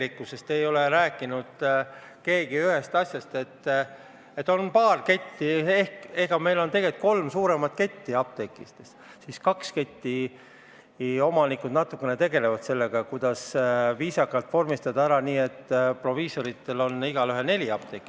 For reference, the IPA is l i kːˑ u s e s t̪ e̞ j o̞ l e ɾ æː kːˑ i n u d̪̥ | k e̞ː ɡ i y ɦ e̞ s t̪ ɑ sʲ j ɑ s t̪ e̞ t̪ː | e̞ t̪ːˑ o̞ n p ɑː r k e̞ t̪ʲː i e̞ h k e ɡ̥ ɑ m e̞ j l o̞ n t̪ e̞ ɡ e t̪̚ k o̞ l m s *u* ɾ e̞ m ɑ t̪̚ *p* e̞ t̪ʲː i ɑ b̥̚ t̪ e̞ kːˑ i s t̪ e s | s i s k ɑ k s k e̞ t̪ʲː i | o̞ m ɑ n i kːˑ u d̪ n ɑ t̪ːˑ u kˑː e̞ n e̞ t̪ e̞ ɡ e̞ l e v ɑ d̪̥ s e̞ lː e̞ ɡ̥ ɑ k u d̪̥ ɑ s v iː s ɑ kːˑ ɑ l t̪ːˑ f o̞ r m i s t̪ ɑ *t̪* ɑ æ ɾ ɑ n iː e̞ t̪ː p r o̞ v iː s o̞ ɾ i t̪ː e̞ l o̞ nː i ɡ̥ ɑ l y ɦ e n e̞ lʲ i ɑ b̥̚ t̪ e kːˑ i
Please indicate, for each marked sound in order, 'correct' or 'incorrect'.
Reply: incorrect: uː, incorrect: k, incorrect: d̪

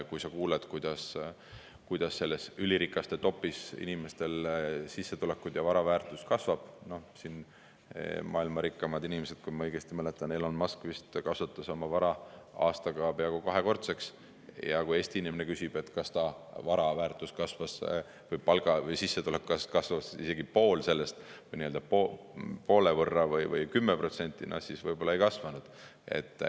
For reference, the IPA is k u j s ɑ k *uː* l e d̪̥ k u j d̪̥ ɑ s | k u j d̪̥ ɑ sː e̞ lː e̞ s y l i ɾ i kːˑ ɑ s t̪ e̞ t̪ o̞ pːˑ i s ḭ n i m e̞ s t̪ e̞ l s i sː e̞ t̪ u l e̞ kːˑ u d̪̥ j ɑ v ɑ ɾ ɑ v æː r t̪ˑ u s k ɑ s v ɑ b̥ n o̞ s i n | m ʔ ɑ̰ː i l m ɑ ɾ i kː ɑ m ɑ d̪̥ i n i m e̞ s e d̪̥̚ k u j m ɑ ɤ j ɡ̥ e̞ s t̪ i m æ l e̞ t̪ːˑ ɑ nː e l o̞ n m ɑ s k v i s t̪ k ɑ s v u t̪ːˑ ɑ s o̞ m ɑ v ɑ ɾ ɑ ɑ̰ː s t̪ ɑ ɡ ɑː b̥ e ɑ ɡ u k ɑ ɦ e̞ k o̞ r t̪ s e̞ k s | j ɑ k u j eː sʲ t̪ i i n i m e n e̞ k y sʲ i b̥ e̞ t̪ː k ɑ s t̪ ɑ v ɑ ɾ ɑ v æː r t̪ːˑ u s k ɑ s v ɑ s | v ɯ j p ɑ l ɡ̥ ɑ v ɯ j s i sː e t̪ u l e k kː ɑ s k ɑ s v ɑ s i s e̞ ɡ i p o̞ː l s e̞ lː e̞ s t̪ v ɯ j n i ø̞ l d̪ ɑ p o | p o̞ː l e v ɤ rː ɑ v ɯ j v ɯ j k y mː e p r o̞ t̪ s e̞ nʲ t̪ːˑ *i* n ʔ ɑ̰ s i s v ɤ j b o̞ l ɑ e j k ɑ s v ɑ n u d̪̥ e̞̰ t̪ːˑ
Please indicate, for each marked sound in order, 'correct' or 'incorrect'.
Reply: correct, correct

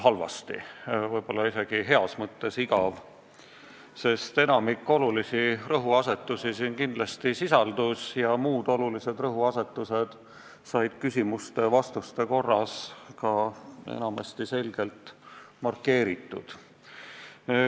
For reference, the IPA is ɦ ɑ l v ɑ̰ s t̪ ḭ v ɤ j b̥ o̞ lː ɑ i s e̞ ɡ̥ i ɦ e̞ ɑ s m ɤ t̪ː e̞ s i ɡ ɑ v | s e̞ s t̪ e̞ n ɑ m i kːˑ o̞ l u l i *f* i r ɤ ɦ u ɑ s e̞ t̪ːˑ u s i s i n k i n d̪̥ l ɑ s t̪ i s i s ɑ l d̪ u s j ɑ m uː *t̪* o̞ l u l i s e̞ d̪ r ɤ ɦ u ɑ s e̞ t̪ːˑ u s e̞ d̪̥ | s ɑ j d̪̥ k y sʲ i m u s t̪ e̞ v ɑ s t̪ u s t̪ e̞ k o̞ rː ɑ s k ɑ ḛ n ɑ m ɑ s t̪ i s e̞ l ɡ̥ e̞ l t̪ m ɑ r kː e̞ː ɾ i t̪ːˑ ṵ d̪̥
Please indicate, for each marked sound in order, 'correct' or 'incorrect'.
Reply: incorrect: s, incorrect: d̪

